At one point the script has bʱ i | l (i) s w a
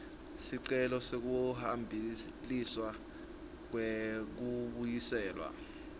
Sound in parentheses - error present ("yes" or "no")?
no